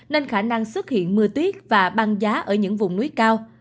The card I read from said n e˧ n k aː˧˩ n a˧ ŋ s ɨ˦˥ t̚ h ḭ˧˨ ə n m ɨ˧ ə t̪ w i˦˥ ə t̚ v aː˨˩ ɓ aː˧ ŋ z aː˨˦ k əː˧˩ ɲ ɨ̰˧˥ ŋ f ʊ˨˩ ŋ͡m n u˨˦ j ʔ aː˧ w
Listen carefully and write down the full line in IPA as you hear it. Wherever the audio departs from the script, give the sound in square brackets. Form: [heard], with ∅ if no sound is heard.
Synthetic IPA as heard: n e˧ n [x] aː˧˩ n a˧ ŋ s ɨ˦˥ t̚ h ḭ˧˨ ə n m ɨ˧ ə t̪ w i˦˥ ə t̚ v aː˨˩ ɓ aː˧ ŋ z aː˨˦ [ʔ] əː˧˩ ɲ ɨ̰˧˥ ŋ [v] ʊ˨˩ ŋ͡m n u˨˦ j [k] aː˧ w